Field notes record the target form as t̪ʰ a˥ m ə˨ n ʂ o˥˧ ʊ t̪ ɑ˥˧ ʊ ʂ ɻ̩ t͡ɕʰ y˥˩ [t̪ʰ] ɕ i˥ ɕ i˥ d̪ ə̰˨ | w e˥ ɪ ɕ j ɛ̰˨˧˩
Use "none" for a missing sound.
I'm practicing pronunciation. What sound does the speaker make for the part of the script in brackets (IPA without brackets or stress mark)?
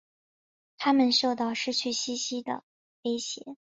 none